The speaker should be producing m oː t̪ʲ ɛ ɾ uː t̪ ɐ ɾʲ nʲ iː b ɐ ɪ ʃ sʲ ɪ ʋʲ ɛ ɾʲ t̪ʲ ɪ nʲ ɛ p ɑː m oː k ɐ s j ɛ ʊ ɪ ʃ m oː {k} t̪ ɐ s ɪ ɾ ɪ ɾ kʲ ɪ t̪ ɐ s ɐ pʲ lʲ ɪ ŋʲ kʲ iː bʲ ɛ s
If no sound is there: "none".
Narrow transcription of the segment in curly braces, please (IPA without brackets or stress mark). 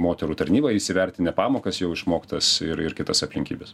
k